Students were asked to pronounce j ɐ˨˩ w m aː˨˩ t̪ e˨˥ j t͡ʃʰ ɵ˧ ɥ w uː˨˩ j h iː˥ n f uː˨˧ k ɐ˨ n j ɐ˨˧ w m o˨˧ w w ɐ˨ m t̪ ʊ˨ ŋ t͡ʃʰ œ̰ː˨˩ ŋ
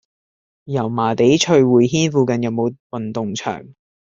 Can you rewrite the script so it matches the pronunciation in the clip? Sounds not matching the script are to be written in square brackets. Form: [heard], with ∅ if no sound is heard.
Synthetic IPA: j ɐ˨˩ w m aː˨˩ t̪ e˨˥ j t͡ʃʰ ɵ˧ ɥ w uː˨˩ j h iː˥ n f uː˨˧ k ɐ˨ n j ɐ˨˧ w m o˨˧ w w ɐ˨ [n] t̪ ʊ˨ ŋ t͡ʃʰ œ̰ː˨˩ ŋ